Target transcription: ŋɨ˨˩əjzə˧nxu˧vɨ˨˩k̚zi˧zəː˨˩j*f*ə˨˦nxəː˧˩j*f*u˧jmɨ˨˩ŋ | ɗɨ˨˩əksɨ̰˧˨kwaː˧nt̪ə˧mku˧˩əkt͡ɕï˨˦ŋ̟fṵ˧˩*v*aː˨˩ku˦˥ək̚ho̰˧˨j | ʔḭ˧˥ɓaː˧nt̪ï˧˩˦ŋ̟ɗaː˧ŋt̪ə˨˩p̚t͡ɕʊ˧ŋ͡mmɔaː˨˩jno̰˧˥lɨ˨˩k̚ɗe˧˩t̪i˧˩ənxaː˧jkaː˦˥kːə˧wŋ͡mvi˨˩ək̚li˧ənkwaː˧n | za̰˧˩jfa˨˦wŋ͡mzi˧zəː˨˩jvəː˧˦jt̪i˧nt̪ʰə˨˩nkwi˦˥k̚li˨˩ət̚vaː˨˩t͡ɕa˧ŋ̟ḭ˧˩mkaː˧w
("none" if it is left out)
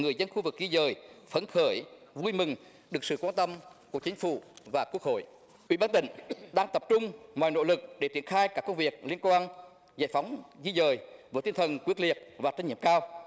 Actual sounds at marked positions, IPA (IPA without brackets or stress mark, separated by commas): f, v, v